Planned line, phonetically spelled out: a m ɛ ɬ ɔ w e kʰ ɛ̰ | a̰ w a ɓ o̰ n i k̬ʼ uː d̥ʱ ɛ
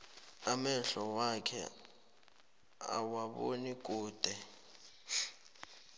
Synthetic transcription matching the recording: a m ɛ ɬ ɔ w a kʰ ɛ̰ | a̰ w a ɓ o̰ n i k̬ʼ uː d̥ʱ ɛ